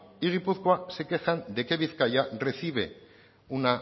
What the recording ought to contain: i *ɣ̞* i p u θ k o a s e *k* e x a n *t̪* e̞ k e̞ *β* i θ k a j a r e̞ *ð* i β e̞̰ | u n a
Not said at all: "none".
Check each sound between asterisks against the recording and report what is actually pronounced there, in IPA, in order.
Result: ɣ̞, k, d̪, β, θ

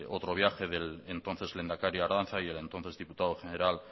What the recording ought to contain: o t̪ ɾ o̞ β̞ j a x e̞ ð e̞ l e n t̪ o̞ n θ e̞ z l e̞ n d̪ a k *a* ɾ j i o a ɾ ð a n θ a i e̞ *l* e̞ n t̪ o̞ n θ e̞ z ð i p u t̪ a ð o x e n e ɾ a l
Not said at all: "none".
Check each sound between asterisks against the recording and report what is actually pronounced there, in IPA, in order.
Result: a, l

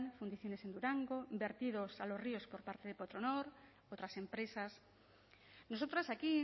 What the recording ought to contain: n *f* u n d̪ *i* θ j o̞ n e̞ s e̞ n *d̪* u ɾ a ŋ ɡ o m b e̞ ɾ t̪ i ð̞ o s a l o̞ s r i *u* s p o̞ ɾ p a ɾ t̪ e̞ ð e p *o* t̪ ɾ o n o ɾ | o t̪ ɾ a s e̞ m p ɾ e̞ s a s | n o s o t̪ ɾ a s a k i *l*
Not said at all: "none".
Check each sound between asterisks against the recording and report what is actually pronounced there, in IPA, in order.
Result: f, i, d̪, o, o, none

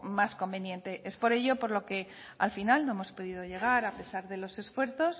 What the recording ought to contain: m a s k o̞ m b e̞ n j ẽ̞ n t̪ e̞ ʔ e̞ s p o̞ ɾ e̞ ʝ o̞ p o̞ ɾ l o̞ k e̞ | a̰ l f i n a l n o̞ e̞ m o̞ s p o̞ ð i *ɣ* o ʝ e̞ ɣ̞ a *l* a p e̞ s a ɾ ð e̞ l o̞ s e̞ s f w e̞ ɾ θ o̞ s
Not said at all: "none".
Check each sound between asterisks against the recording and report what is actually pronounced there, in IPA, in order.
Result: ð, ɾ

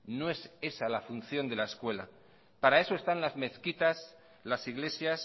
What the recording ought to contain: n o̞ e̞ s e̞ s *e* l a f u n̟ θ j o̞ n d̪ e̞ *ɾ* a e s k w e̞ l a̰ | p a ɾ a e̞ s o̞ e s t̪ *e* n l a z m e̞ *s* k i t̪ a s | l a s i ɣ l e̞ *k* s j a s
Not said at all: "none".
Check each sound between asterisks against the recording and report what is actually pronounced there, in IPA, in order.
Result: a, l, a, θ, none

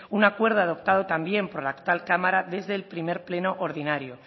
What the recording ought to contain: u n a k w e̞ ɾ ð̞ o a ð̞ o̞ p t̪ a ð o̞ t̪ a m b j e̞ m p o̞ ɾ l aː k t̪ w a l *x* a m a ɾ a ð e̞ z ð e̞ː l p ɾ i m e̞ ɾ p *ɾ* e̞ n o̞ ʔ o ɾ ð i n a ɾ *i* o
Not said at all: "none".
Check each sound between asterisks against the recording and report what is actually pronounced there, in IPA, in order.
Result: k, l, j

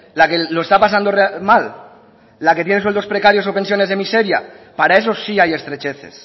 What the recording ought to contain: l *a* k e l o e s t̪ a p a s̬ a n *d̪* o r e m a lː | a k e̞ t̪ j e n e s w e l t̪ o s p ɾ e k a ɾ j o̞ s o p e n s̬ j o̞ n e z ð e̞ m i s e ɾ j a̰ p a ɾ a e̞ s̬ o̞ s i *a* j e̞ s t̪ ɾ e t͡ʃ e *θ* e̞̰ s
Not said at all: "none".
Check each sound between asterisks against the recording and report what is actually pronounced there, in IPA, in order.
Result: a, d̪, a, θ

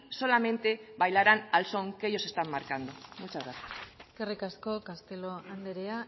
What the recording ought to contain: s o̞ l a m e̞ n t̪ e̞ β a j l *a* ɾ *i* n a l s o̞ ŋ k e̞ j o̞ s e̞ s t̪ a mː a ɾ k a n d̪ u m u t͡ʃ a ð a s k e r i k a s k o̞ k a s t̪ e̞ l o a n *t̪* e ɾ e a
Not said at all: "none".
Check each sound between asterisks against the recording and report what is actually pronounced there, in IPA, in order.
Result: a, a, d̪

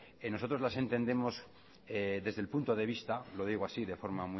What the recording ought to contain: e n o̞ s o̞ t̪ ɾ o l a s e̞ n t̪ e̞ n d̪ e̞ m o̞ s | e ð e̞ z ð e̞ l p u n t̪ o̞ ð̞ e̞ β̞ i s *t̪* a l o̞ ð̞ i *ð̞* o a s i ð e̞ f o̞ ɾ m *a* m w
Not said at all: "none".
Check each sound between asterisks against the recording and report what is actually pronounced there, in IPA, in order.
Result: t̪, ɣ̞, a

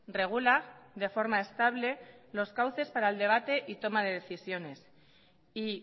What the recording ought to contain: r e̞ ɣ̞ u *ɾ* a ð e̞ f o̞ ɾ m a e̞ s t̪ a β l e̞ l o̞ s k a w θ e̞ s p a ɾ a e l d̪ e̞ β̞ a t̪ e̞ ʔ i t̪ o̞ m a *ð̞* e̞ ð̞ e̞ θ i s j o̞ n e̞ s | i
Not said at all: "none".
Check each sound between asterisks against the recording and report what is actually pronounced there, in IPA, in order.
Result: l, ð̞

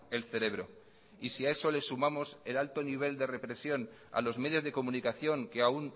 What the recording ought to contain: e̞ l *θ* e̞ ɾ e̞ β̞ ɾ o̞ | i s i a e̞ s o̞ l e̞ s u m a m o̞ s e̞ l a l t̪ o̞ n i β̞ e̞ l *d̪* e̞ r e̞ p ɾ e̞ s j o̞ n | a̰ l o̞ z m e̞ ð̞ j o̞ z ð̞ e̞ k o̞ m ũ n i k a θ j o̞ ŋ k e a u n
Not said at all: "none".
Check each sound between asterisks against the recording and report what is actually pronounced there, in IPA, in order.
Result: θ, d̪

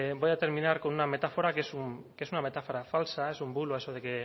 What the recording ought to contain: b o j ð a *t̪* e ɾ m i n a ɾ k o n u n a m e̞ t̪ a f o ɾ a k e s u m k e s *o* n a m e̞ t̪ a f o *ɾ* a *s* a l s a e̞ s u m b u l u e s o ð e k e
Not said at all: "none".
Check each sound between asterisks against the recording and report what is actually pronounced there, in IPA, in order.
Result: t̪, u, ɾ, f

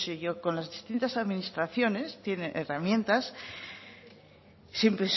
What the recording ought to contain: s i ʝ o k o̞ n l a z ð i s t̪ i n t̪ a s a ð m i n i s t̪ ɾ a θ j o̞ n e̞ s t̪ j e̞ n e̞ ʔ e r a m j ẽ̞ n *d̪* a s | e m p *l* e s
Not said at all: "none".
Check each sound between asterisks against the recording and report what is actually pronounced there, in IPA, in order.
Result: t̪, ɾ

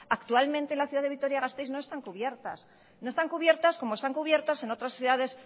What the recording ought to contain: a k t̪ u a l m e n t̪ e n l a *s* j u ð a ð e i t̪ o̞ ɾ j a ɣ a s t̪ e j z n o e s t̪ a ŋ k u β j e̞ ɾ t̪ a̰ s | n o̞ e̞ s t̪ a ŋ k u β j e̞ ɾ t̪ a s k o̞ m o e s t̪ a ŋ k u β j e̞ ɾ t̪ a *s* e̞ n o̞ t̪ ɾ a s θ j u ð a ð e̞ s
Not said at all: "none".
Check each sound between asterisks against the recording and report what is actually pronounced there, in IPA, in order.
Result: θ, s

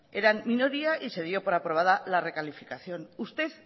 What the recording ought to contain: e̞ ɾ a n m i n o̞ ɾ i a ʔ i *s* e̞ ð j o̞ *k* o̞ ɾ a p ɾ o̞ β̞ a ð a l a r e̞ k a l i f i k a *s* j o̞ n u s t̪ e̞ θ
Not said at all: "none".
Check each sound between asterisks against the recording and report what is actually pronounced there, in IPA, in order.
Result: s, p, θ

